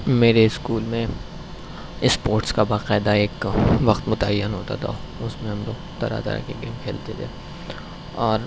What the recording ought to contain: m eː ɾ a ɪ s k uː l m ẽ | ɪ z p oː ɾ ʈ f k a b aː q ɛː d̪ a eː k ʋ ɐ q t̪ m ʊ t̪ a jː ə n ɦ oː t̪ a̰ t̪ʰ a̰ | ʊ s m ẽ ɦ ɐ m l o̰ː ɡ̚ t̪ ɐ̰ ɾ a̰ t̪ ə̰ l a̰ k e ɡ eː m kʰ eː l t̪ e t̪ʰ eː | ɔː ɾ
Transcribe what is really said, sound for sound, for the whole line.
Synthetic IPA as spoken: m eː ɾ e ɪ s k uː l m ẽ | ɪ s p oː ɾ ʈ s k a b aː q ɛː d̪ a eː k ʋ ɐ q t̪ m ʊ t̪ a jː ə n ɦ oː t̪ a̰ t̪ʰ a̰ | ʊ s m ẽ ɦ ɐ m l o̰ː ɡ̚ t̪ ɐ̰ ɾ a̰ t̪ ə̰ ɾ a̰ k e ɡ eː m kʰ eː l t̪ e t̪ʰ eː | ɔː ɾ